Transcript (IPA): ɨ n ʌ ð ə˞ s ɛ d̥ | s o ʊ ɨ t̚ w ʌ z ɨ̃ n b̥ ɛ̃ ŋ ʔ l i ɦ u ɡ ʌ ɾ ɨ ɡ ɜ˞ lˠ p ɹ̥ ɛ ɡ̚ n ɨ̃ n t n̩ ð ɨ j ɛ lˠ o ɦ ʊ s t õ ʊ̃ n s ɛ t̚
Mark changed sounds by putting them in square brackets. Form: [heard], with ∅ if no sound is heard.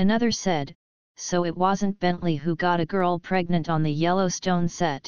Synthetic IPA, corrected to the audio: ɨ n ʌ ð ə˞ s ɛ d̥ | s o ʊ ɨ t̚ w ʌ z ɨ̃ n b̥ ɛ̃ [n] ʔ l i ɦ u ɡ [ɑ] ɾ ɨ ɡ ɜ˞ lˠ [pʰ] ɹ̥ ɛ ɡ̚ n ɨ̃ n t n̩ ð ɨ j ɛ lˠ o [∅] ʊ s t õ ʊ̃ n s ɛ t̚